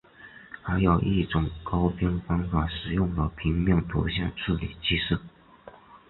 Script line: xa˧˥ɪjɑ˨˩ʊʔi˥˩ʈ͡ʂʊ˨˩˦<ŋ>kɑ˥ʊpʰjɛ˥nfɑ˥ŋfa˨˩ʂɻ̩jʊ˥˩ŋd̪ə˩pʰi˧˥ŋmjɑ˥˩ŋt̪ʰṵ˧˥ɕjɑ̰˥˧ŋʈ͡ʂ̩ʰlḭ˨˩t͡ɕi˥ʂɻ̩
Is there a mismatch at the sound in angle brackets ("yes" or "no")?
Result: no